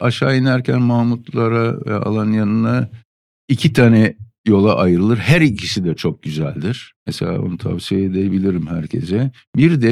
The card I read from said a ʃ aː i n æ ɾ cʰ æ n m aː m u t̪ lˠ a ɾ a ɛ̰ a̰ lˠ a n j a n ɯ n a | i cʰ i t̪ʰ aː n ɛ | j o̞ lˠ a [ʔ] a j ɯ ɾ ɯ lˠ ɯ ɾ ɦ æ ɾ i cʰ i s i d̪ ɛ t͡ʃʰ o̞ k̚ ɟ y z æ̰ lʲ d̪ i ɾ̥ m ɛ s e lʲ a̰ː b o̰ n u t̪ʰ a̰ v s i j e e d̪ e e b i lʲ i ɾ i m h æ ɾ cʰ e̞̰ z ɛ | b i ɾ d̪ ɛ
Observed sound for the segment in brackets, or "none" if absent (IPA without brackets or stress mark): ʔ